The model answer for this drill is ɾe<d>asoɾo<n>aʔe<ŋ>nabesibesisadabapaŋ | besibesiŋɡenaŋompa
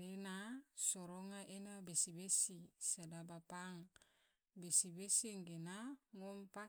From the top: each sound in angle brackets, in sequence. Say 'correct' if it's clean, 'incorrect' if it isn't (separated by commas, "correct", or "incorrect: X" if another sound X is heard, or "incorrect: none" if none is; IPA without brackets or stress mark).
incorrect: n, incorrect: ŋ, incorrect: none